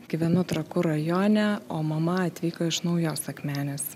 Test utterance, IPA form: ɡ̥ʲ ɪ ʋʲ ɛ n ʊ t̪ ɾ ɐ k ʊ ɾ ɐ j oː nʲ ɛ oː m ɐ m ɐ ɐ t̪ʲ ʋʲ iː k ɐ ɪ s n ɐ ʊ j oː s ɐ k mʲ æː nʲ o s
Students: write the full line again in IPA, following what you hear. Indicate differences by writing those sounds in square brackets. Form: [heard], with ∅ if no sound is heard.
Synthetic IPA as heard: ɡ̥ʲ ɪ ʋʲ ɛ n ʊ t̪ ɾ ɐ k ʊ ɾ ɐ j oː nʲ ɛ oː m ɐ m ɐ ɐ t̪ʲ ʋʲ iː k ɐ ɪ [ʃ] n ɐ ʊ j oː s ɐ k mʲ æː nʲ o s